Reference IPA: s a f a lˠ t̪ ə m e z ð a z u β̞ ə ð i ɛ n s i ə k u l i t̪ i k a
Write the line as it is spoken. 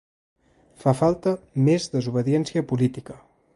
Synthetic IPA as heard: f a f a lˠ t̪ ə m e z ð ə z u β̞ ə ð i ɛ n s i ə p u l i t̪ i k ə